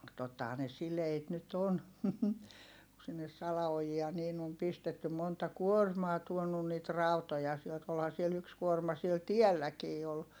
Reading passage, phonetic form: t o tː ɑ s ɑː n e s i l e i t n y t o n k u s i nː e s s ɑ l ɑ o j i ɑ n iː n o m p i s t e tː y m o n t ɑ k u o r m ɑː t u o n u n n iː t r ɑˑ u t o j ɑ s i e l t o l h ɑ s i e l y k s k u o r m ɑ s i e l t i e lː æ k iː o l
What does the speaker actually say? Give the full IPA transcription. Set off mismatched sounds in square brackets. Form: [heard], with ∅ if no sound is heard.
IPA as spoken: t o tː ɑ [h] ɑː n e s i l e i t n y t o n k u s i nː e s s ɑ l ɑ o j i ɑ n iː n o m p i s t e tː y m o n t ɑ k u o r m ɑː t u o n u n n iː t r ɑˑ u t o j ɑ s i e l t o l h ɑ s i e l y k s k u o r m ɑ s i e l t i e lː æ k iː o l